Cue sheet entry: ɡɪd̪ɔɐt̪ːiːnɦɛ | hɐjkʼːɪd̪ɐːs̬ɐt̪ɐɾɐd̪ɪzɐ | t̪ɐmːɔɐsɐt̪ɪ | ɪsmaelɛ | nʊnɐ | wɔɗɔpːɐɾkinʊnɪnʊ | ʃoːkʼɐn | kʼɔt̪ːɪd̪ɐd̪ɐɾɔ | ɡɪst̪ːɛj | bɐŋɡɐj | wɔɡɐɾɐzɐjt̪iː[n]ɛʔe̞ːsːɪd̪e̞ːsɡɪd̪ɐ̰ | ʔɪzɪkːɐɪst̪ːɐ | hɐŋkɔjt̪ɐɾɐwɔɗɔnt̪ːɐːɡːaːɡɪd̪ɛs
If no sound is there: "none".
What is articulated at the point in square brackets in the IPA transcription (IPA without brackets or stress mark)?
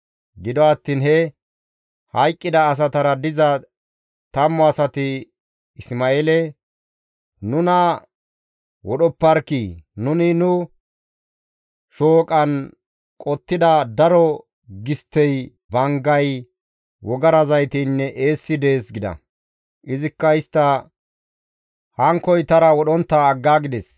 nː